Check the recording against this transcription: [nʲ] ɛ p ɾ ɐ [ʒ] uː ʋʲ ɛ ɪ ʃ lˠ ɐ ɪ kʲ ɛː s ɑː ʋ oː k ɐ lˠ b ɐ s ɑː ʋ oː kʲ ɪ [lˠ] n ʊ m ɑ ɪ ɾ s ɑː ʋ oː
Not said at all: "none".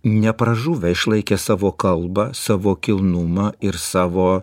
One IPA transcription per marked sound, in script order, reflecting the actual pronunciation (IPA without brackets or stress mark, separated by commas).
nʲ, ʒ, lˠ